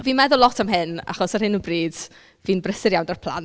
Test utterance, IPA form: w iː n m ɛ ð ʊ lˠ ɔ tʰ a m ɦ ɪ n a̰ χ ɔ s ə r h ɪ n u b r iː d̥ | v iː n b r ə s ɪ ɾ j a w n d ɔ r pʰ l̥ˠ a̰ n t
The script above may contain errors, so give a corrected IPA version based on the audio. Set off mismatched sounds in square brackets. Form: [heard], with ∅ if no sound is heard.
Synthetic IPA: [v] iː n m ɛ ð ʊ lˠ ɔ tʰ a m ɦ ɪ n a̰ χ ɔ s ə r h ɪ n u b r iː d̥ | v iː n b r ə s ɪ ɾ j a w n d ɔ r pʰ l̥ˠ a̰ n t